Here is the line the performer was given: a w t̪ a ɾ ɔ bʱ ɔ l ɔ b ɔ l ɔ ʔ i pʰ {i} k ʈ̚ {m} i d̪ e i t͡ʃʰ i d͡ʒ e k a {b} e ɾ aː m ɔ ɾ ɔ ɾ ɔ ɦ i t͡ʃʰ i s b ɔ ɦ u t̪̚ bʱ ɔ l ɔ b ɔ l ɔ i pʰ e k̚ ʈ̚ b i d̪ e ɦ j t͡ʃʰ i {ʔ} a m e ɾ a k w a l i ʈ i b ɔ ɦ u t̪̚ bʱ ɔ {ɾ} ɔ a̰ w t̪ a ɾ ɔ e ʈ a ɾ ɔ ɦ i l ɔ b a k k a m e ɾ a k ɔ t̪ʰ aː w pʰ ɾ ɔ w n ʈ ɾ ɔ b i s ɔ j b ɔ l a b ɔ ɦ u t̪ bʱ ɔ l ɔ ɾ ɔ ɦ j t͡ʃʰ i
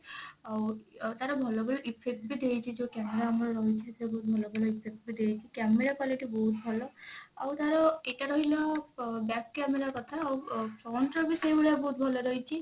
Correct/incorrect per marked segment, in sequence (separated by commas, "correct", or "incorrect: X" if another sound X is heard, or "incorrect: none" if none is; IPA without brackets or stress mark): incorrect: e, incorrect: b, incorrect: m, incorrect: k, incorrect: l